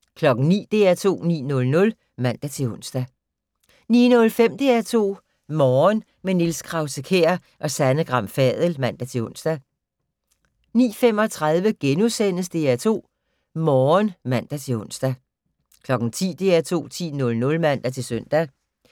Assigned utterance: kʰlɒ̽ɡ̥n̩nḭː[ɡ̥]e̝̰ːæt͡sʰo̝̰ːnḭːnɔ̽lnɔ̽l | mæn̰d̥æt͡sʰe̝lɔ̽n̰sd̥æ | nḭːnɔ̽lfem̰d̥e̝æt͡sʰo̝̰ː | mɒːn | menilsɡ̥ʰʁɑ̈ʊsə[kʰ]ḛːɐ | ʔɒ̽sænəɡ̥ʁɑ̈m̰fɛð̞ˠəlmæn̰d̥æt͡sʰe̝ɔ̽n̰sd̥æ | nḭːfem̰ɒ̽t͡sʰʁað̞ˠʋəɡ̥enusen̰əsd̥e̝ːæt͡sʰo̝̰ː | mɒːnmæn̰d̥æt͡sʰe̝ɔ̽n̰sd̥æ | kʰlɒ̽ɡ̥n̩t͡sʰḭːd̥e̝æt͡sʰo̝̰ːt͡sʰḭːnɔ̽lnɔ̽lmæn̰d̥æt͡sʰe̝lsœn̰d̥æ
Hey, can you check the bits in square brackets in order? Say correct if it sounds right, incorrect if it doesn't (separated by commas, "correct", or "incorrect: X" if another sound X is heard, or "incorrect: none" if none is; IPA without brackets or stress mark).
incorrect: d̥, correct